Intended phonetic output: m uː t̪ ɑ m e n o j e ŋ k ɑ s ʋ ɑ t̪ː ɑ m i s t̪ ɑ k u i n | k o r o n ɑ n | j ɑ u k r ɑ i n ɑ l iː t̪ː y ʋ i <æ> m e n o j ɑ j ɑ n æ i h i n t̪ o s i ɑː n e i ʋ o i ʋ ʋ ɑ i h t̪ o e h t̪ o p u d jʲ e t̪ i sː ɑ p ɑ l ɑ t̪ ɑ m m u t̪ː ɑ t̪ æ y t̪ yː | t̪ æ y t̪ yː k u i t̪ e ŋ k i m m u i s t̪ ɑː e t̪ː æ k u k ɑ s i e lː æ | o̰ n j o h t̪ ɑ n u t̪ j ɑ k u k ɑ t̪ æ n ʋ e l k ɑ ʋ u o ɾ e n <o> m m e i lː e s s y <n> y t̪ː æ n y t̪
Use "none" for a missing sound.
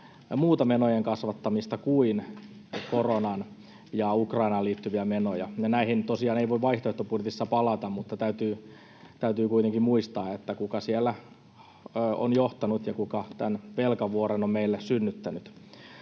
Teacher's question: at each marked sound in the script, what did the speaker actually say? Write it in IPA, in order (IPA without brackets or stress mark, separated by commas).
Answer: æ, o, nː